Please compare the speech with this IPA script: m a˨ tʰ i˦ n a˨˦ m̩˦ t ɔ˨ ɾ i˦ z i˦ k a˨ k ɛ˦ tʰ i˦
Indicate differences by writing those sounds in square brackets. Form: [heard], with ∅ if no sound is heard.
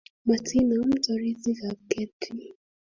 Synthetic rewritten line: m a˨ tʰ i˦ n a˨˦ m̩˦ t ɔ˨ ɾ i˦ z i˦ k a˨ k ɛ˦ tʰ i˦